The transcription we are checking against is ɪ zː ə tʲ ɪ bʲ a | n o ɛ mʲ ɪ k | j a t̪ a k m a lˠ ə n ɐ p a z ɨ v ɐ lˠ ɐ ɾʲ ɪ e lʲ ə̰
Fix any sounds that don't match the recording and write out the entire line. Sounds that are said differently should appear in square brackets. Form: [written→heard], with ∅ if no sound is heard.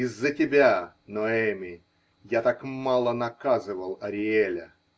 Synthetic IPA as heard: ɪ zː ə tʲ ɪ bʲ a | n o ɛ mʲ ɪ [k→∅] | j a t̪ a k m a lˠ ə n ɐ [p→k] a z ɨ v [ɐ→ə] lˠ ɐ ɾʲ ɪ e lʲ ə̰

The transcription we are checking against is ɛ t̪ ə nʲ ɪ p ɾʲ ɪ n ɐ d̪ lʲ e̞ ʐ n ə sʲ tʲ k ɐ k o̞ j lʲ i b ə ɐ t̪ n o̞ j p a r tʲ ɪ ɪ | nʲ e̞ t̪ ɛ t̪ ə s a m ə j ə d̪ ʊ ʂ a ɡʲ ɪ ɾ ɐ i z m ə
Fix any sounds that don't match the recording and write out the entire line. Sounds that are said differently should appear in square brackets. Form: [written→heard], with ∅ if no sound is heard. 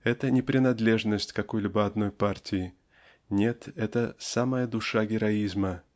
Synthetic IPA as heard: ɛ t̪ ə nʲ ɪ p ɾʲ ɪ n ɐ d̪ lʲ e̞ ʐ n ə sʲ tʲ k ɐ k o̞ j lʲ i b ə ɐ [t̪→d̪] n o̞ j p a r tʲ ɪ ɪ | nʲ e̞ t̪ ɛ t̪ ə s a m ə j ə d̪ ʊ ʂ a ɡʲ ɪ ɾ ɐ i z m ə

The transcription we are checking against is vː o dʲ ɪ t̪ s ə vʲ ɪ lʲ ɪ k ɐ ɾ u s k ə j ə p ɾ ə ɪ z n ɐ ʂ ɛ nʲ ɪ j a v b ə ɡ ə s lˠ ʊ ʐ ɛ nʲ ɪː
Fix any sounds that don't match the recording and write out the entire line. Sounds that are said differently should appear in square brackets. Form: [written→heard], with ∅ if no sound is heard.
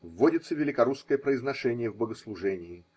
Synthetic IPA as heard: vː o dʲ ɪ t̪ s ə vʲ ɪ lʲ ɪ k ɐ ɾ u s k ə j ə p ɾ ə ɪ z n ɐ ʂ ɛ nʲ ɪ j [a→ə] v b ə ɡ ə s lˠ ʊ ʐ ɛ nʲ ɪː

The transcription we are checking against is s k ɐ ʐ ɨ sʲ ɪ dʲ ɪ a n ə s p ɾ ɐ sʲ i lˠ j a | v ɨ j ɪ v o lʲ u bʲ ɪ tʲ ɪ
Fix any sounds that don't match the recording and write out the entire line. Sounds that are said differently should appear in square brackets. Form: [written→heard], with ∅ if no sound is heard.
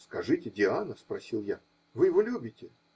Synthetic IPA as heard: s k ɐ ʐ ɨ [sʲ→tʲ] ɪ dʲ ɪ a n ə s p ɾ ɐ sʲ i lˠ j a | v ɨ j ɪ v o lʲ u bʲ ɪ tʲ ɪ

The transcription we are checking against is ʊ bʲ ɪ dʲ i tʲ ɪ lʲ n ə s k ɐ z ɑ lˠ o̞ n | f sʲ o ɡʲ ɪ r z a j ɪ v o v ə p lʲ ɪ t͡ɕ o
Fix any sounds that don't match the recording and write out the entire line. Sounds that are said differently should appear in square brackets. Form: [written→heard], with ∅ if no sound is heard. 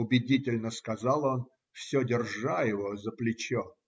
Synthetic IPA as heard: ʊ bʲ ɪ dʲ i tʲ ɪ lʲ n ə s k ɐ z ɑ lˠ o̞ n | f sʲ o [ɡʲ→dʲ] ɪ r [z→ʐ] a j ɪ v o [v→z] ə p lʲ ɪ t͡ɕ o

